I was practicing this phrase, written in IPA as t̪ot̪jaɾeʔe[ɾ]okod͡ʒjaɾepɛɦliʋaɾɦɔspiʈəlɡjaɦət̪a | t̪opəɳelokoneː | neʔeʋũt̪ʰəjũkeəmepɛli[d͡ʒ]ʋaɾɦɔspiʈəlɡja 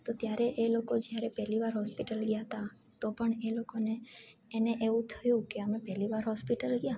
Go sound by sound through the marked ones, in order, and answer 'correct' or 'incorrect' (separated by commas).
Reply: incorrect, incorrect